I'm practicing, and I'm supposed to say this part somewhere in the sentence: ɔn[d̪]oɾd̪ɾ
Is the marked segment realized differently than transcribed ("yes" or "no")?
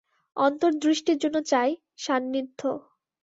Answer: yes